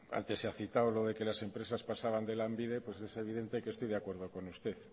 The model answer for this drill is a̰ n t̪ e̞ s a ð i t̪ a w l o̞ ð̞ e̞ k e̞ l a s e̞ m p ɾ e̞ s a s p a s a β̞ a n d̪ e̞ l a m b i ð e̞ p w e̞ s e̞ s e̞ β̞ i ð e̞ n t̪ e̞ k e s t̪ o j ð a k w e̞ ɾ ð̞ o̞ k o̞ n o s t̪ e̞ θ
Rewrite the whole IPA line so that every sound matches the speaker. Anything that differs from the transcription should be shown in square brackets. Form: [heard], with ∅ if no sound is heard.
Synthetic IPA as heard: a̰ n t̪ e̞ s a [θ] i t̪ a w l o̞ ð̞ e̞ k e̞ l a s e̞ m p ɾ e̞ s a s p a s a β̞ a n d̪ e̞ l a m b i ð e̞ p w e̞ s e̞ s e̞ β̞ i ð e̞ n t̪ e̞ k e s t̪ o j ð a k w e̞ ɾ ð̞ o̞ k o̞ n [u] s t̪ e̞ θ